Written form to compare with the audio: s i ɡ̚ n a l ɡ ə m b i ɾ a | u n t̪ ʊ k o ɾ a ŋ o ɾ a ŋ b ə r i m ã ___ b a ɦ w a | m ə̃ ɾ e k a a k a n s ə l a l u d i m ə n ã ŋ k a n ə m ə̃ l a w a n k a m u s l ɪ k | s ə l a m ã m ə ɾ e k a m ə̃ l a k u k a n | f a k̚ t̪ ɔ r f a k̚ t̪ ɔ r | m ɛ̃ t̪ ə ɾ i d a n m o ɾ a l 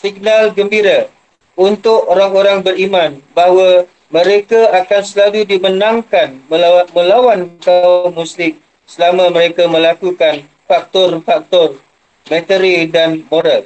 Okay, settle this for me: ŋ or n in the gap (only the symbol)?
n